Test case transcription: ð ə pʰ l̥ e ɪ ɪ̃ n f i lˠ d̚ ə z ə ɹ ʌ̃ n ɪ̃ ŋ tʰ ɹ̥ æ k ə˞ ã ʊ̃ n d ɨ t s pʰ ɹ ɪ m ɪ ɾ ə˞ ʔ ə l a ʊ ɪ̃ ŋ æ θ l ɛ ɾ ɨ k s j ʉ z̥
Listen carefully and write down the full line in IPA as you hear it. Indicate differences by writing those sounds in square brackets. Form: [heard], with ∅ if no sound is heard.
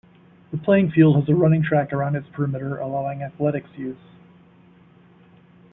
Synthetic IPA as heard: ð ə pʰ l̥ e ɪ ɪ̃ [ŋ] f i lˠ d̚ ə z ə ɹ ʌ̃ n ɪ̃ ŋ tʰ ɹ̥ æ k ə˞ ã ʊ̃ n d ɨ t s pʰ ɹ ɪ m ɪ ɾ ə˞ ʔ ə l a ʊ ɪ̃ ŋ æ θ l ɛ ɾ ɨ k s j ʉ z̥